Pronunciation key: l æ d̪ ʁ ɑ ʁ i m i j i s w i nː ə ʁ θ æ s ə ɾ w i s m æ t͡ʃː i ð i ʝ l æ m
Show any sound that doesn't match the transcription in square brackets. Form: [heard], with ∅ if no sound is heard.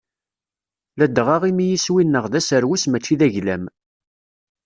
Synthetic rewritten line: l æ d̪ ʁ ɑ ʁ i m i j i s w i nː ə ʁ [ð] æ s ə ɾ w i s m æ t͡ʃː i ð [æ] ʝ l æ m

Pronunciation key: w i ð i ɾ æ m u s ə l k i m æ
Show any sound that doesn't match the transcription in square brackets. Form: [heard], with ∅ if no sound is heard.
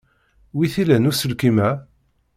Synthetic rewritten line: w i [θ] i [l] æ [n] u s ə l k i m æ

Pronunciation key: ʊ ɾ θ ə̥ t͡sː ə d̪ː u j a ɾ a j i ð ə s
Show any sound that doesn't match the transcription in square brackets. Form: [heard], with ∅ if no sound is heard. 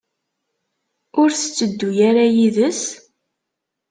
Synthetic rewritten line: ʊ ɾ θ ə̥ t͡sː ə d̪ː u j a ɾ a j i ð ə s

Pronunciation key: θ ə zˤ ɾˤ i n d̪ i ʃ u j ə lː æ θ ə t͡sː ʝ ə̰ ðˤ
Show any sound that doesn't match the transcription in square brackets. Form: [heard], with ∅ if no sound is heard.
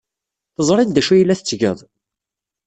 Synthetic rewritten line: θ ə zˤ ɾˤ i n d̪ [æ] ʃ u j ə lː æ θ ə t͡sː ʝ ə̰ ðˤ

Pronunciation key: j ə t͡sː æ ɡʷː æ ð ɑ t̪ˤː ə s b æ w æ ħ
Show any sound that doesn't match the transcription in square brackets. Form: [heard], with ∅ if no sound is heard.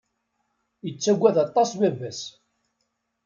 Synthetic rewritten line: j ə t͡sː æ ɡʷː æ ð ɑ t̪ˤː [ɑ] s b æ [v] æ [s]

